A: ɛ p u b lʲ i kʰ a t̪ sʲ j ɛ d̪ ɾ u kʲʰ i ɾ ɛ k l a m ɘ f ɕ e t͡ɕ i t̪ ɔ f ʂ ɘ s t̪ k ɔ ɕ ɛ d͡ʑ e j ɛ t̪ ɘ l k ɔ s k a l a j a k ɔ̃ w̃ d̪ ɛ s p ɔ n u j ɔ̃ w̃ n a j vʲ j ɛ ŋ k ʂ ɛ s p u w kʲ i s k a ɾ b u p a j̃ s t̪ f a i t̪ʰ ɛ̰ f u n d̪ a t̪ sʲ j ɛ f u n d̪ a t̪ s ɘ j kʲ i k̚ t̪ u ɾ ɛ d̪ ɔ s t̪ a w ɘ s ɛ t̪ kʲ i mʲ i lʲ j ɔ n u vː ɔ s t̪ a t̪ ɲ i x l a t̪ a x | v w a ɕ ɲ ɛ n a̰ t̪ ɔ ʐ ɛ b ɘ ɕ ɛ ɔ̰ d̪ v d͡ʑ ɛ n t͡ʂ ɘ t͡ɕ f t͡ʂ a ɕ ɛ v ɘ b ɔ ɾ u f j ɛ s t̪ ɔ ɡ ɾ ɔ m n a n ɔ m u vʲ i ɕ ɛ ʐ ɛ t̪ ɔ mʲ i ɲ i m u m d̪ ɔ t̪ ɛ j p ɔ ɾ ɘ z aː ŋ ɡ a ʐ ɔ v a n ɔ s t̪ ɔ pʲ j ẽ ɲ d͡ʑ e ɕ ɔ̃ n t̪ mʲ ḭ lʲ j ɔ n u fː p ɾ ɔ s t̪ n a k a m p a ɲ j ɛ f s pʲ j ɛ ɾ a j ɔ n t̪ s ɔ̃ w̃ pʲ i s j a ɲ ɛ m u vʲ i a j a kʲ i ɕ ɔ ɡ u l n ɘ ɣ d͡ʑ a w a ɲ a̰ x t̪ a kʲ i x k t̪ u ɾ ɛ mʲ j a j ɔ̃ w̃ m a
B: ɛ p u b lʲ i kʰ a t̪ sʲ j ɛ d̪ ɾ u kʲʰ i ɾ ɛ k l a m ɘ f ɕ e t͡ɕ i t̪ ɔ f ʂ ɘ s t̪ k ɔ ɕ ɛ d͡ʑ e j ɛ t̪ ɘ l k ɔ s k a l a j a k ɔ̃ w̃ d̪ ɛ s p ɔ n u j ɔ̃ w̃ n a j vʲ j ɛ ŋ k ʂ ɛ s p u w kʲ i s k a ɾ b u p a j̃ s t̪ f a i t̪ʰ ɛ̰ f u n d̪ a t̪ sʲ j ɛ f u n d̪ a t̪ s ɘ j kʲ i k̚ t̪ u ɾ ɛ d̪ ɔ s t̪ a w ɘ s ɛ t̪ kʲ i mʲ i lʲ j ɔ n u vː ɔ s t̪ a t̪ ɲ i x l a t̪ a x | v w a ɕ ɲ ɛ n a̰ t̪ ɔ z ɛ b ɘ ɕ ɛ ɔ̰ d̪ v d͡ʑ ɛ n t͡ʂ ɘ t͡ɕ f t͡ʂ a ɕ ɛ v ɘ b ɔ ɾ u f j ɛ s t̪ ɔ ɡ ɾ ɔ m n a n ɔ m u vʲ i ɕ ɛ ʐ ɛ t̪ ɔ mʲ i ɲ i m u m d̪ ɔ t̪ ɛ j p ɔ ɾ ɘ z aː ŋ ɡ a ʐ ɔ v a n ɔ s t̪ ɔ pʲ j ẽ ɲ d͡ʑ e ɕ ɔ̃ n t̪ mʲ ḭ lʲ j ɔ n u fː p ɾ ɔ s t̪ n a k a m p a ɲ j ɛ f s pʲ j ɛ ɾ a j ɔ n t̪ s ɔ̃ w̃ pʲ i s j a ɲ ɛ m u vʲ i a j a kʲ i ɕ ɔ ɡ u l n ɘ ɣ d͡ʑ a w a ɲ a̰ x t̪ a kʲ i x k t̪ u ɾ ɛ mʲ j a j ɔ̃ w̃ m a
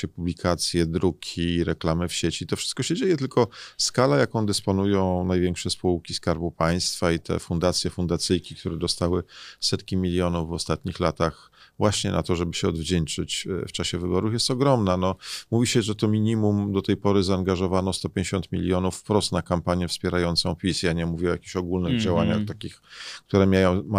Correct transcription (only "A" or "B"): A